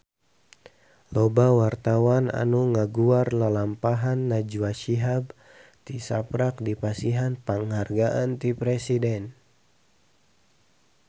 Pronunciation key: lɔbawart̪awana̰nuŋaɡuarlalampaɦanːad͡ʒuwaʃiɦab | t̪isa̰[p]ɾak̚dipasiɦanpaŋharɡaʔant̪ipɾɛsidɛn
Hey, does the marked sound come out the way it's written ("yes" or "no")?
yes